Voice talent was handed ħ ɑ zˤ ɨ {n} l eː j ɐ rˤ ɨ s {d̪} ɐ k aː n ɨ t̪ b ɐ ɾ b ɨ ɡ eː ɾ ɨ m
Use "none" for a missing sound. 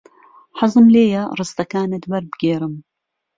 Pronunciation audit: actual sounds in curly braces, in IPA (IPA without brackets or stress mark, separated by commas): m, t̪